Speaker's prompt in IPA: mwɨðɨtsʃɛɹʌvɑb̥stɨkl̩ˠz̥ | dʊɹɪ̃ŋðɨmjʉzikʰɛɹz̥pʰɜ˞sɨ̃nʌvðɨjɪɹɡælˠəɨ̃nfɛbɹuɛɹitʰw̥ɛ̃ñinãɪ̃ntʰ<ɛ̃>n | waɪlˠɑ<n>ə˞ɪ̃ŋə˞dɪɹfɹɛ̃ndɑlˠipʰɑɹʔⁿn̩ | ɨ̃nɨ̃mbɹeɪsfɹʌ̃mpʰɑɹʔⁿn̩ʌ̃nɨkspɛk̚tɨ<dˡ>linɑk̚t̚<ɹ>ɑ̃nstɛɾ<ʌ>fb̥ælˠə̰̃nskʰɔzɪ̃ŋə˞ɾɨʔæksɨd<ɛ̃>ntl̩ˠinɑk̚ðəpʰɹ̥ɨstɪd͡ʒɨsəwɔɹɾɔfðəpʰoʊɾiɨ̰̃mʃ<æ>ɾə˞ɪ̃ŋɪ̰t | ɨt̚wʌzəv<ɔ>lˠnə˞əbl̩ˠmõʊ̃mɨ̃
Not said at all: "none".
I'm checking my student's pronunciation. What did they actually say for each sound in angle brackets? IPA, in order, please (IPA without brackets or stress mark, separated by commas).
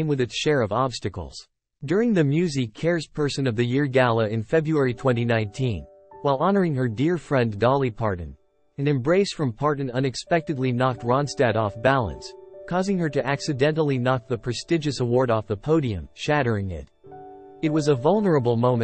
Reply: ĩ, n, dˡ, ɹ, ɔ, ɛ̃, æ, ʌ